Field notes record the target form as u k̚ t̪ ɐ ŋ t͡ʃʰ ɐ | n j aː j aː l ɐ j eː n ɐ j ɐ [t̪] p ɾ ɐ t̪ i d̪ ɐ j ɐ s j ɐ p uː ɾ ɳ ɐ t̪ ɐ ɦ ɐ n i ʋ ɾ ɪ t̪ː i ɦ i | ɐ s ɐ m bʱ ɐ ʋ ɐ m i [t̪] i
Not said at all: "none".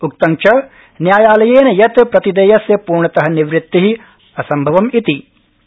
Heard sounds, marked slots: t̪, t̪

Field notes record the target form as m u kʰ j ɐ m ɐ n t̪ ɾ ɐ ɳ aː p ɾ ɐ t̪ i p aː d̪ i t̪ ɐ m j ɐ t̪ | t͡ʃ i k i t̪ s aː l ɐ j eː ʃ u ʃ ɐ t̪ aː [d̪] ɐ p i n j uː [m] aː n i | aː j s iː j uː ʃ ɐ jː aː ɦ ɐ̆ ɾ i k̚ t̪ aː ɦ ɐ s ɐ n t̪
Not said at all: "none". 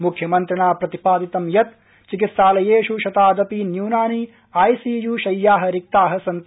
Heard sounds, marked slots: d̪, n

